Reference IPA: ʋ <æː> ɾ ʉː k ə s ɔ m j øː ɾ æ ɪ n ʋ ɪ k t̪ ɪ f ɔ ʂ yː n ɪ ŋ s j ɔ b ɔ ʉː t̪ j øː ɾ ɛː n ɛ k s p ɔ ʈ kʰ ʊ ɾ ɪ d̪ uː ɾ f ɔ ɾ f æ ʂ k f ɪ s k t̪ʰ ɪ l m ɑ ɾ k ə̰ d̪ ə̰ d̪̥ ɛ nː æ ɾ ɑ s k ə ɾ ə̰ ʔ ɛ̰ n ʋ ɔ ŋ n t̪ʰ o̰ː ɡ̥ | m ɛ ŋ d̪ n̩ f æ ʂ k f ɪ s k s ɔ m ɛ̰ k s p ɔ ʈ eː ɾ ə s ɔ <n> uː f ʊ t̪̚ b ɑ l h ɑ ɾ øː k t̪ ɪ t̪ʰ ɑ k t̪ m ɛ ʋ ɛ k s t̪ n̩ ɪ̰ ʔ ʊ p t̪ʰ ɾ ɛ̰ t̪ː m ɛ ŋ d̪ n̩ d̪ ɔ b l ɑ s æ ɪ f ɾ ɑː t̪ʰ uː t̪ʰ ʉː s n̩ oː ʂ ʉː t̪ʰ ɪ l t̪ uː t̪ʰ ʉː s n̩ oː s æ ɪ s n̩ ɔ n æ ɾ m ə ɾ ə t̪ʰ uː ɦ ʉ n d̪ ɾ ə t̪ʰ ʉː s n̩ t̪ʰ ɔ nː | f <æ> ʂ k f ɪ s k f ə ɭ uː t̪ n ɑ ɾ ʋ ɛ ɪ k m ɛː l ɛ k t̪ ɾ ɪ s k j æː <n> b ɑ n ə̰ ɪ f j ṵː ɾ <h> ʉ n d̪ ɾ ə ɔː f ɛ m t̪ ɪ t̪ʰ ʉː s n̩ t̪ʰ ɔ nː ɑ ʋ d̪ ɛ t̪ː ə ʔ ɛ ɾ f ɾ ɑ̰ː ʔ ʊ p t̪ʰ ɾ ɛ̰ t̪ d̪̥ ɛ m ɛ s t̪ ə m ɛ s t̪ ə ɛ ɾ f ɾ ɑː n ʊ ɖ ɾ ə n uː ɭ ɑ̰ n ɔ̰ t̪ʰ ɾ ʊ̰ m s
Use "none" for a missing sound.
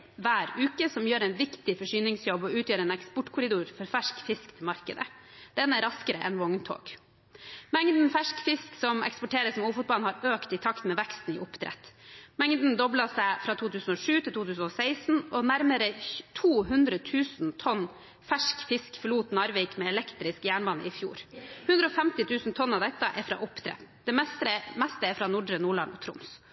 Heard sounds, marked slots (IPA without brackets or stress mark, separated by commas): æː, m, æ, ɳ, h